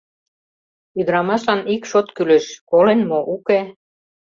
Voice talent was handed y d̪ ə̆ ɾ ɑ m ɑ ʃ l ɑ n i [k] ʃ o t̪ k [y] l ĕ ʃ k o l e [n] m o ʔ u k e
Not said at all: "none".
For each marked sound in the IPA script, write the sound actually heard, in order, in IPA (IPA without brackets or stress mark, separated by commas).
k, y, n